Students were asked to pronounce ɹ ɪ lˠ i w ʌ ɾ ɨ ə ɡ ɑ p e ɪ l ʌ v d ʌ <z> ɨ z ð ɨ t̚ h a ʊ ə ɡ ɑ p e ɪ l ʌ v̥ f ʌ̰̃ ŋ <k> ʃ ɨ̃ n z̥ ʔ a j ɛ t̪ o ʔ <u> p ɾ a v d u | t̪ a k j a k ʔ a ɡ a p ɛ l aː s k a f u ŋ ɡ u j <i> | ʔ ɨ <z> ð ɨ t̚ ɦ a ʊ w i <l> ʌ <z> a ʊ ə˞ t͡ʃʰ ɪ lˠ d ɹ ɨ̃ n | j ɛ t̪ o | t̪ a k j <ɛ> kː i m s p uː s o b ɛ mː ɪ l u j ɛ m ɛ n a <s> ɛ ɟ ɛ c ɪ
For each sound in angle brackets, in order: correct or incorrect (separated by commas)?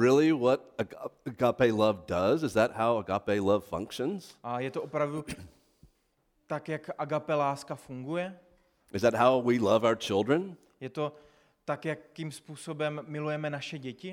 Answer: correct, correct, incorrect, incorrect, correct, correct, incorrect, incorrect, incorrect